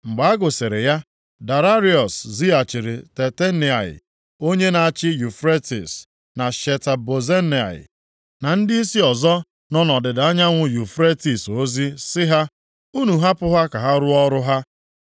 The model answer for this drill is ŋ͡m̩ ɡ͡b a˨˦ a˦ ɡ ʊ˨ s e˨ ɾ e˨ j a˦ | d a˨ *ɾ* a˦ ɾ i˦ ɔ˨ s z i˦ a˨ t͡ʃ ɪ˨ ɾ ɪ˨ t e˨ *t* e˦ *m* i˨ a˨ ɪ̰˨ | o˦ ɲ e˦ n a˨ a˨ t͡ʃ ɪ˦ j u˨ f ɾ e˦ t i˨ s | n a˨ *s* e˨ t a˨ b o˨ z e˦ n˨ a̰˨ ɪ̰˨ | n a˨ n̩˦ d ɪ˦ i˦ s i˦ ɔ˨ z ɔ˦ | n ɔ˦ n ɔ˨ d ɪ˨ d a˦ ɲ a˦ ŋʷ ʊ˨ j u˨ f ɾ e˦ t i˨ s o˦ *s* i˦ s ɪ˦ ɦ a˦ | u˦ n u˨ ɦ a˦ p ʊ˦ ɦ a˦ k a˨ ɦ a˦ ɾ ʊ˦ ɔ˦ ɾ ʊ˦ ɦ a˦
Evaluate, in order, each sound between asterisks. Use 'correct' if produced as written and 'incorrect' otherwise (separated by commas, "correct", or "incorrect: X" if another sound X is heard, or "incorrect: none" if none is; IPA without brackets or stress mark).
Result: correct, correct, incorrect: n, incorrect: ʃ, incorrect: z